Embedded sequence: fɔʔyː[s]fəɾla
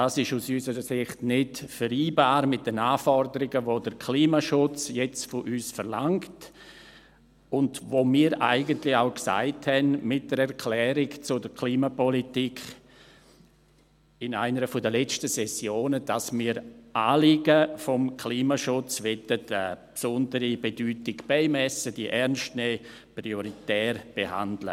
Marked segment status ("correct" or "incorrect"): correct